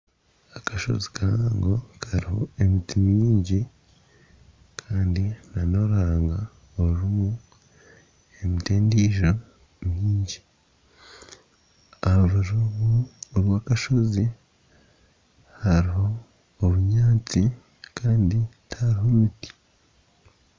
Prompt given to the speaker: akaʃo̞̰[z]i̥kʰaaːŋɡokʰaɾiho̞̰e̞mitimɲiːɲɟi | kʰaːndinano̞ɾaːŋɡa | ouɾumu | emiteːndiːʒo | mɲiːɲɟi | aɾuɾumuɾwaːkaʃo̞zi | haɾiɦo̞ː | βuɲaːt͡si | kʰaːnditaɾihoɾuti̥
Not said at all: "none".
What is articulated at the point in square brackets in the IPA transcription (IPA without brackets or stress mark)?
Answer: z